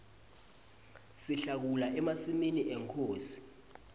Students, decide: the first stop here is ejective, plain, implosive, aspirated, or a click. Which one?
plain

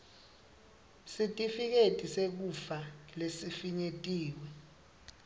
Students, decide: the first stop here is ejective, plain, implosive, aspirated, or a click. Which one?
ejective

